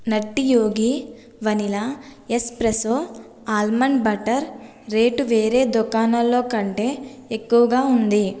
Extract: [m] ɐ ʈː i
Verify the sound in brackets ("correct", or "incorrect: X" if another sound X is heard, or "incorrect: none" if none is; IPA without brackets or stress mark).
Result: incorrect: n